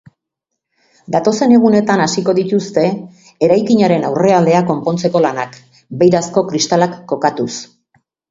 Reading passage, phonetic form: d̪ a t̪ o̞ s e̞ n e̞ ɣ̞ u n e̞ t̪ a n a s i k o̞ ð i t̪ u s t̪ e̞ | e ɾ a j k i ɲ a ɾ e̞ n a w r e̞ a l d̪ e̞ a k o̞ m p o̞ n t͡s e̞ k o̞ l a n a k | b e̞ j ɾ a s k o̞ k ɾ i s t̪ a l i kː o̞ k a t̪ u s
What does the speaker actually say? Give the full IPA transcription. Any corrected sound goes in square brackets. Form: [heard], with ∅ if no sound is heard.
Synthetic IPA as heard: d̪ a t̪ o̞ s e̞ n e̞ ɣ̞ u n e̞ t̪ a n a s i k o̞ ð i t̪ u s t̪ e̞ | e ɾ a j k i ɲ a ɾ e̞ n a w r e̞ a l d̪ e̞ a k o̞ m p o̞ n t͡s e̞ k o̞ l a n a k | b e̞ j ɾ a s k o̞ k ɾ i s t̪ a l [a] kː o̞ k a t̪ u s